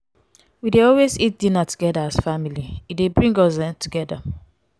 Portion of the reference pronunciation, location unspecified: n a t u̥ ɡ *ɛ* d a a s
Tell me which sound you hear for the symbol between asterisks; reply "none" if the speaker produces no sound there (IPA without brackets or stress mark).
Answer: ɛ